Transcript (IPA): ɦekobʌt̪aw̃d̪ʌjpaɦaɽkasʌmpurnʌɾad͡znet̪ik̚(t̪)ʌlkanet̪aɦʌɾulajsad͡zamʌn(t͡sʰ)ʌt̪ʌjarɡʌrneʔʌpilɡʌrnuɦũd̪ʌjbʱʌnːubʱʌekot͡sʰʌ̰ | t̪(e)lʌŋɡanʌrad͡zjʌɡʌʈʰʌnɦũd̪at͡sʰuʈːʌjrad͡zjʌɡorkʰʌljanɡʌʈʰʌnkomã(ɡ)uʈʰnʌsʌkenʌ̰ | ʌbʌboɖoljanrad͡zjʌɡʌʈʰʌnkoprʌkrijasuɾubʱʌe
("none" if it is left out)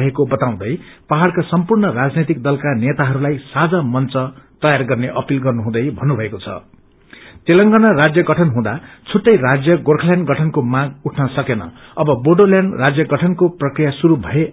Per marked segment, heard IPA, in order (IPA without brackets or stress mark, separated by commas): d̪, t͡s, e, ɡ